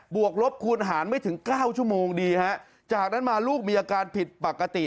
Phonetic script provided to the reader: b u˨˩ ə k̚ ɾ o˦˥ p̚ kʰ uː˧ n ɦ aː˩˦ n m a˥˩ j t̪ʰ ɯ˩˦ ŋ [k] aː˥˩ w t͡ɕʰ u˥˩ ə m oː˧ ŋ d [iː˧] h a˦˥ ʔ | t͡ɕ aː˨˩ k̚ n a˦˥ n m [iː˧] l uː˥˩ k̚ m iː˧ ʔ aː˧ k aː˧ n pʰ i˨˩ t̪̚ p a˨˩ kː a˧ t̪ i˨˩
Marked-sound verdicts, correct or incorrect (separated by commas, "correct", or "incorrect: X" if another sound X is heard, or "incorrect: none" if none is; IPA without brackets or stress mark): correct, correct, incorrect: aː˧